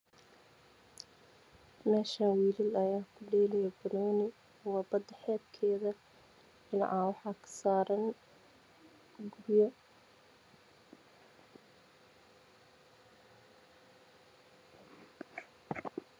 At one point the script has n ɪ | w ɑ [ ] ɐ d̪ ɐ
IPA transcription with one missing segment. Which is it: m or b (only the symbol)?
b